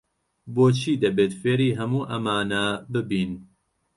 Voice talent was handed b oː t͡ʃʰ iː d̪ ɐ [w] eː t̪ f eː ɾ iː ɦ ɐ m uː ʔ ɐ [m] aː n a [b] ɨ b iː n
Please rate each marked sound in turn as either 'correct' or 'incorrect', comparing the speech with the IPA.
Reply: incorrect: b, correct, correct

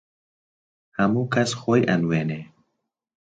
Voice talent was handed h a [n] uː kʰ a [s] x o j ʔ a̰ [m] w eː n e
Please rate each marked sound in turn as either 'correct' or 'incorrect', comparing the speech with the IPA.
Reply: incorrect: m, correct, incorrect: n

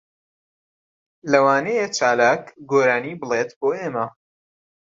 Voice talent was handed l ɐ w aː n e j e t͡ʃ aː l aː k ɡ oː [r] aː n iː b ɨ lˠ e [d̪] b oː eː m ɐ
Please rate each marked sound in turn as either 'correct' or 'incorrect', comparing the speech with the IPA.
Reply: incorrect: ɾ, incorrect: t̪

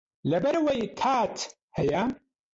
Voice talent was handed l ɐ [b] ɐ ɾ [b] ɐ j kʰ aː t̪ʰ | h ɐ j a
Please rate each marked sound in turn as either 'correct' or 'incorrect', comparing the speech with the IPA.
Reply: correct, incorrect: w

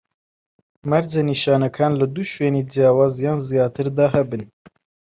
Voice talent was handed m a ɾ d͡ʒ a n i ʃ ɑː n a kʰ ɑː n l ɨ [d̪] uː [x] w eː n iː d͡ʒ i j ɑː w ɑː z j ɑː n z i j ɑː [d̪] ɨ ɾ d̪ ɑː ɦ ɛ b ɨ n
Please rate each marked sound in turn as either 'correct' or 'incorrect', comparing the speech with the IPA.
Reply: correct, incorrect: ʃ, incorrect: t̪

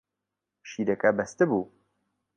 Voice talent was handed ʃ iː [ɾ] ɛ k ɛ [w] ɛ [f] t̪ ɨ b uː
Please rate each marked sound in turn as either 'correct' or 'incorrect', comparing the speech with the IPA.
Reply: correct, incorrect: b, incorrect: s

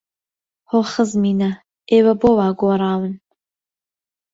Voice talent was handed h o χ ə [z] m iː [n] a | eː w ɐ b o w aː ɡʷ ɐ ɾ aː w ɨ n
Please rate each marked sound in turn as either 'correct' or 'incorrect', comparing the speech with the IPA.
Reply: correct, correct

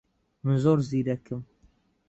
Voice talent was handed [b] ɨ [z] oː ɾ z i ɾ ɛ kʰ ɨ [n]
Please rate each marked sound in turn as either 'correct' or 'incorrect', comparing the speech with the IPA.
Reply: incorrect: m, correct, incorrect: m

